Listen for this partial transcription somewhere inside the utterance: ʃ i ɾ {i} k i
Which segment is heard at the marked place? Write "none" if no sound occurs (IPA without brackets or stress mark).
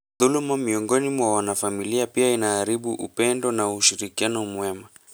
i